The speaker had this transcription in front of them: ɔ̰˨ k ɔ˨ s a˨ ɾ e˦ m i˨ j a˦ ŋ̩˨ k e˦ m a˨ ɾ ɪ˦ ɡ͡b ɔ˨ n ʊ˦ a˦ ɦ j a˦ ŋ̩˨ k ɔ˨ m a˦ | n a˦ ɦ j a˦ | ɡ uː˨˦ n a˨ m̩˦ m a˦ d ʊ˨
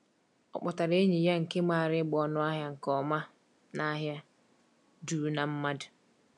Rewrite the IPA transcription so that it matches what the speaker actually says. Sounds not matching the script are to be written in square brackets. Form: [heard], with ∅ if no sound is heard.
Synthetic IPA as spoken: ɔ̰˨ [k͡p] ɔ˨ [t] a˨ ɾ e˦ [ɲ] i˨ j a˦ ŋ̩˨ k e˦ m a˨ ɾ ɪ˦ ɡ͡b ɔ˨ n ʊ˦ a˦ ɦ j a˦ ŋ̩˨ k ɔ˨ m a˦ | n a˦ ɦ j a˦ | [d] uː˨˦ n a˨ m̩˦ m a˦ d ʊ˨

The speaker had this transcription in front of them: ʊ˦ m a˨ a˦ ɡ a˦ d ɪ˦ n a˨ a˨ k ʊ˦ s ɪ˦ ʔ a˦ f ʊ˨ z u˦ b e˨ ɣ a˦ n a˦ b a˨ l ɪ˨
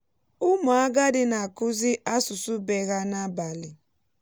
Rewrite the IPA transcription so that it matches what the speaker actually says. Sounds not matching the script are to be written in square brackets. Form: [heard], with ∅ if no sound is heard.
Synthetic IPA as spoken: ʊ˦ m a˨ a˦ ɡ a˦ d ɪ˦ n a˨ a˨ k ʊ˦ [z] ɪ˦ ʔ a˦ [s] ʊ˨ [s] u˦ b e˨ ɣ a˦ n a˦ b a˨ l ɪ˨

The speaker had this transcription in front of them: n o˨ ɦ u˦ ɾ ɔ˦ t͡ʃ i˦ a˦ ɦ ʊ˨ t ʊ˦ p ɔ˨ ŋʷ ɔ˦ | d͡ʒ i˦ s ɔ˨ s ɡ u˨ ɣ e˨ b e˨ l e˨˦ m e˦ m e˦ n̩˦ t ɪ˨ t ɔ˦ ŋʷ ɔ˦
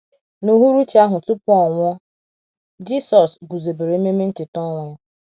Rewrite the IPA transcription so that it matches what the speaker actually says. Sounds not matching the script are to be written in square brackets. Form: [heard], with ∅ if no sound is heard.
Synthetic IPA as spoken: n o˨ ɦ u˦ ɾ [u˦] t͡ʃ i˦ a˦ ɦ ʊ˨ t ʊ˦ p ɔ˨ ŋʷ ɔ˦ | d͡ʒ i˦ s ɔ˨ s ɡ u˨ [z] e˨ b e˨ [ɾ] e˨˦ m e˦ m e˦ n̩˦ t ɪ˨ t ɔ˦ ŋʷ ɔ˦

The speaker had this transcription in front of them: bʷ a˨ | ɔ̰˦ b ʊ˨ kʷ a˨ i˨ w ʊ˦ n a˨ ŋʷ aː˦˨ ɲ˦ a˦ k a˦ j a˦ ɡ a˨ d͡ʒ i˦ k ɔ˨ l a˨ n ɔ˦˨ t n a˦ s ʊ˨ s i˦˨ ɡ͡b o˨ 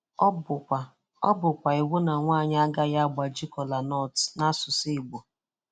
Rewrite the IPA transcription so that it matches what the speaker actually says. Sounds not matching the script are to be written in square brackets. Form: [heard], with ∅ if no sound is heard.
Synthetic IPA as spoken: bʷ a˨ | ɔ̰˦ b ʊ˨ kʷ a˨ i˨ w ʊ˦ n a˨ ŋʷ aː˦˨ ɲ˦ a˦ [ɡ] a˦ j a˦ [ɡ͡b] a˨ d͡ʒ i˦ k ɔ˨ l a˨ n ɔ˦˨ t n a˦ s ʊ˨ s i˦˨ ɡ͡b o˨

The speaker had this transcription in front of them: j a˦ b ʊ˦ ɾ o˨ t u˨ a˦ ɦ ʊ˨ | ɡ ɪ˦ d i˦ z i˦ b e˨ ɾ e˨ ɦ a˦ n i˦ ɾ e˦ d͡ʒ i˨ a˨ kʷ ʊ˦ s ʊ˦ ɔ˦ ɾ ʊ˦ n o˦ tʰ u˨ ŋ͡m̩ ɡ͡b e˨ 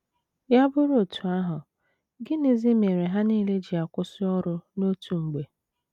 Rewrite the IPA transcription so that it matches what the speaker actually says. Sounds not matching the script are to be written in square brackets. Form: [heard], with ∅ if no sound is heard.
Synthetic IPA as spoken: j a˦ b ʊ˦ ɾ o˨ t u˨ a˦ ɦ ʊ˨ | ɡ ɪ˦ [n] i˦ z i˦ [m] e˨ ɾ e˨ ɦ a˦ n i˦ [l] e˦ d͡ʒ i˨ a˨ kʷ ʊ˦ s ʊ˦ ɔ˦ ɾ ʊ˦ n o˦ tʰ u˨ ŋ͡m̩ ɡ͡b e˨

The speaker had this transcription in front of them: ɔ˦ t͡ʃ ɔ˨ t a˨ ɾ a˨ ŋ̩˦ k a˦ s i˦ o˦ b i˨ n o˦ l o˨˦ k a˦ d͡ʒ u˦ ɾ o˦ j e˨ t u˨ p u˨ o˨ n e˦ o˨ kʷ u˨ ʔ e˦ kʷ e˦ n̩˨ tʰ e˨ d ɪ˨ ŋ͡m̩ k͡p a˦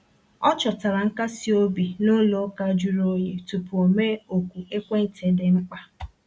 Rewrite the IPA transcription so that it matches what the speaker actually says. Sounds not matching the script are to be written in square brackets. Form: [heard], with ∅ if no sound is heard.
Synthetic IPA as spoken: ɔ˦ t͡ʃ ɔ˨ t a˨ ɾ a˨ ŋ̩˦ k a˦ s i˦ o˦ b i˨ n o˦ l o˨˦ k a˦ d͡ʒ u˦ ɾ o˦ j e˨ t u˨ p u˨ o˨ [m] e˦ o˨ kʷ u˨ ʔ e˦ kʷ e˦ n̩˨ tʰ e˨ d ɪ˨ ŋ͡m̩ k͡p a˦

